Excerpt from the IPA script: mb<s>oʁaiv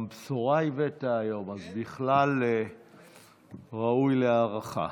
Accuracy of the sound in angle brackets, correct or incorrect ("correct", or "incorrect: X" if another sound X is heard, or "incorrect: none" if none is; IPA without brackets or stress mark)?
correct